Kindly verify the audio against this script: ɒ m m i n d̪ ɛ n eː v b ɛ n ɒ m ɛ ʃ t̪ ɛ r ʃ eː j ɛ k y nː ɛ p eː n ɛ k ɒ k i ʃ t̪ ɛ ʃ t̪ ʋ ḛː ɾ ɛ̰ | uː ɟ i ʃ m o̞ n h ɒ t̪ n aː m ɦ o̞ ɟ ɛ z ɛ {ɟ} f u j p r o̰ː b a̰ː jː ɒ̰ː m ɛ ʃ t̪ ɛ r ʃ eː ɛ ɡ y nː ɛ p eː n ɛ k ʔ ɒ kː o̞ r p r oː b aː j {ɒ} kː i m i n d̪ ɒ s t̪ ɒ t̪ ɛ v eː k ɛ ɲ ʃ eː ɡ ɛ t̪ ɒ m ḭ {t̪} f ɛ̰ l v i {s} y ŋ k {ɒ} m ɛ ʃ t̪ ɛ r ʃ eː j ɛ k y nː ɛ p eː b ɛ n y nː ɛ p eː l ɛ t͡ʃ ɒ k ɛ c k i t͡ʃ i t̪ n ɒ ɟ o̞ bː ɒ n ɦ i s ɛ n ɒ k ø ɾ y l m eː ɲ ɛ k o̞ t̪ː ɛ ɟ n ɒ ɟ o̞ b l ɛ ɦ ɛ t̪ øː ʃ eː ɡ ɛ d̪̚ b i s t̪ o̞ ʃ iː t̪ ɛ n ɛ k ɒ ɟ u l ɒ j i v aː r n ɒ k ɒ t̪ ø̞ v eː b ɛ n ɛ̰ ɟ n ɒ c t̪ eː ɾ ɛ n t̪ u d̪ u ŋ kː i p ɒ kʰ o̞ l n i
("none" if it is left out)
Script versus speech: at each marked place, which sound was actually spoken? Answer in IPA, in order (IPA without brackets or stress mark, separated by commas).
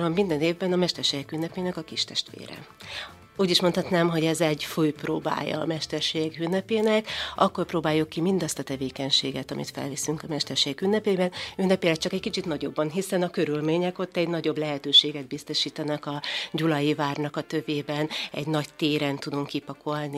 ɟ, u, t̪, s, ɒ